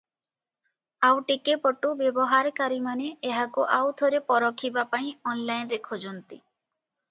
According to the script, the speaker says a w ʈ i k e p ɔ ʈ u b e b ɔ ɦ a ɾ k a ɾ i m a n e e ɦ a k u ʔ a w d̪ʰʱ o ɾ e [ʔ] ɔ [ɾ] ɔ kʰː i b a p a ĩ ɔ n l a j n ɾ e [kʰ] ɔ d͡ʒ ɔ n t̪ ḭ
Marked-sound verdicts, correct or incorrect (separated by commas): incorrect, correct, correct